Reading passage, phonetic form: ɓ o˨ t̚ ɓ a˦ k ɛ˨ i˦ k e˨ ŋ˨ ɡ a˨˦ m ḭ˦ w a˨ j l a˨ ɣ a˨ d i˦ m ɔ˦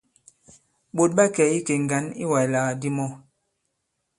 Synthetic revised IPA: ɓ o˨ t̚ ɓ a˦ k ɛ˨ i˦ k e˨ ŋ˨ ɡ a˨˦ n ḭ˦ w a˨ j l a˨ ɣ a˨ d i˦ m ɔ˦